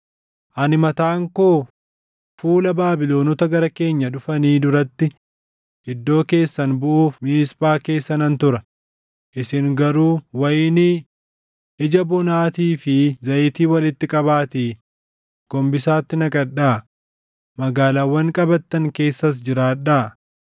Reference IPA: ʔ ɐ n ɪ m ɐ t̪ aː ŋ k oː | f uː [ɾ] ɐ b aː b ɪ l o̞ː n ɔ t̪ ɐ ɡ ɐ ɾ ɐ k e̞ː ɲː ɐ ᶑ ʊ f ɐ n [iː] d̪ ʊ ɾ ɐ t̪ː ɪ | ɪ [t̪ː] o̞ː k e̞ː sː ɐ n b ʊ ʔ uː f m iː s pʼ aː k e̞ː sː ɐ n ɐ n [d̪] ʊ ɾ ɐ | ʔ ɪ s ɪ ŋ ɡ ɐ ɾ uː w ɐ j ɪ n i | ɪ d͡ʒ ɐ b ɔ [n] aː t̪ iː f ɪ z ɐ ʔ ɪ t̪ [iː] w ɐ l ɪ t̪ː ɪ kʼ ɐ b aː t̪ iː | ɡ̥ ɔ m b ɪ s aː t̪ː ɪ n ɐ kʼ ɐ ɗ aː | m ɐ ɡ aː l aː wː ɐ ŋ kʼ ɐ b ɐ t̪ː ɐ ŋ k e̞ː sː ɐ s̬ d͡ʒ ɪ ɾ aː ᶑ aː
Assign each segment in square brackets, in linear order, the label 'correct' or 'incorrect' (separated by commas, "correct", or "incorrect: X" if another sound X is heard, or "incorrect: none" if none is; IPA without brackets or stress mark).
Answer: incorrect: l, correct, incorrect: d̪ː, incorrect: t̪, correct, correct